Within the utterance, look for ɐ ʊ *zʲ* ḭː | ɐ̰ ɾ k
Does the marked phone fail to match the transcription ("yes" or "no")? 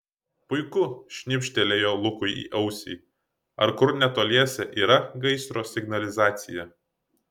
yes